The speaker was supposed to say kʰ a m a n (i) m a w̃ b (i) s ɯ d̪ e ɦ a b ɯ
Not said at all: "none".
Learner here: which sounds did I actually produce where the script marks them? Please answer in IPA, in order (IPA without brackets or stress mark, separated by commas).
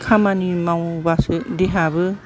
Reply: i, a